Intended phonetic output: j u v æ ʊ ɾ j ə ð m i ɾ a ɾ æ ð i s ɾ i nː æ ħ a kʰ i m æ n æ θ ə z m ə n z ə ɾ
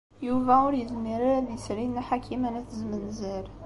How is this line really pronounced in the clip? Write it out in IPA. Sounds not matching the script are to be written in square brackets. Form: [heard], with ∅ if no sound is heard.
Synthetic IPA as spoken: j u v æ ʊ ɾ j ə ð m i ɾ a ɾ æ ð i s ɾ i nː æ ħ a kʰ i m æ n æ θ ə z m ə n z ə ɾ